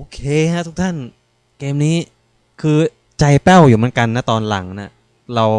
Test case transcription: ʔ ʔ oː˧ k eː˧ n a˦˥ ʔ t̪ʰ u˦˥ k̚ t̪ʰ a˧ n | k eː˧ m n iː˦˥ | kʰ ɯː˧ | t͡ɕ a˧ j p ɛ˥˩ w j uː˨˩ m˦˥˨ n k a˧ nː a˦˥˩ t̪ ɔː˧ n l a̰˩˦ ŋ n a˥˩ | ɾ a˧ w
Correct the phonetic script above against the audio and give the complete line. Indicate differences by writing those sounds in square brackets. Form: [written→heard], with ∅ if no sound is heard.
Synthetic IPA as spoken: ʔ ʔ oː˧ [k→kʰ] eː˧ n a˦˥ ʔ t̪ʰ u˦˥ k̚ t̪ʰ [a˧→a˥˩] n | k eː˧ m n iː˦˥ | kʰ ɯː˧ | t͡ɕ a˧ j p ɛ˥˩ w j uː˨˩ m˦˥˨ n k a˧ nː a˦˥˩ t̪ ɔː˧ n l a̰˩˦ ŋ n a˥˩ | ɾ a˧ w